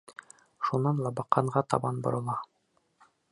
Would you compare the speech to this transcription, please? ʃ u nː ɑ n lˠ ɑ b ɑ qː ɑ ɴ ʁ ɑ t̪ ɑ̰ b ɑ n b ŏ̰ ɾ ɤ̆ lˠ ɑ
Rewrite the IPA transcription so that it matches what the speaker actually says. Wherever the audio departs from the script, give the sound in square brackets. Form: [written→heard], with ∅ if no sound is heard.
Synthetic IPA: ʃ u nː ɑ n lˠ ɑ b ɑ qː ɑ ɴ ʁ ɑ t̪ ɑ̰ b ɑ n b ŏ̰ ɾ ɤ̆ lˠ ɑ